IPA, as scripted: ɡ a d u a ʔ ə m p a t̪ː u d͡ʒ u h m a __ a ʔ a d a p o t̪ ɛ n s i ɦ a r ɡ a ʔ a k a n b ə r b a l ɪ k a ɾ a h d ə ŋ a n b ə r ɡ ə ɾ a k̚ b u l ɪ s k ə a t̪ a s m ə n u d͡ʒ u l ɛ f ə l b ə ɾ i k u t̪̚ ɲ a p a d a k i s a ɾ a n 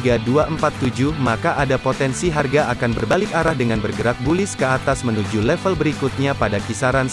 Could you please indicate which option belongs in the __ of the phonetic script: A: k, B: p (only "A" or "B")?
A